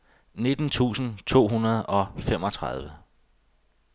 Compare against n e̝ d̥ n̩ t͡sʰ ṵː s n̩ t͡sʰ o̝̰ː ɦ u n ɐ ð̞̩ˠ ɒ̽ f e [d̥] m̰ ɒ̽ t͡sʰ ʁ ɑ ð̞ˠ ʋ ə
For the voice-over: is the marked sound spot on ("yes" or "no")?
no